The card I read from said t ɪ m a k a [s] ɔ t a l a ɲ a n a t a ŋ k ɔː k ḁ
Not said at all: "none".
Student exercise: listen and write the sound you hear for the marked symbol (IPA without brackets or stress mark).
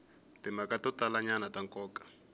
t